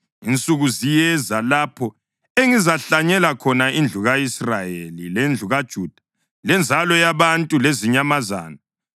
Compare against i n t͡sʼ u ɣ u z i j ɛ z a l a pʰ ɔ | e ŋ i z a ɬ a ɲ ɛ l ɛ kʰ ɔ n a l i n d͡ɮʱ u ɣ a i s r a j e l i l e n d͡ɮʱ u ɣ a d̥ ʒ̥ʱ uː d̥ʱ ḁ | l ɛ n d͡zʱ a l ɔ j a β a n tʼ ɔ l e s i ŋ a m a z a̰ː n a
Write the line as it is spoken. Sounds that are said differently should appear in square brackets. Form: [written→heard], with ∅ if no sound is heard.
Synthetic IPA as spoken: i n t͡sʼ u ɣ u z i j ɛ z a l a pʰ ɔ | e ŋ i z a ɬ a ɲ ɛ l [ɛ→a] kʰ ɔ n a [l→∅] i n d͡ɮʱ u ɣ a i s r a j e l i l e n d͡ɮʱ u ɣ a d̥ ʒ̥ʱ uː d̥ʱ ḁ | l ɛ n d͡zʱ a l ɔ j a β a n tʼ [ɔ→u] l e [s→z] i [ŋ→ɲ] a m a z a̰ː n a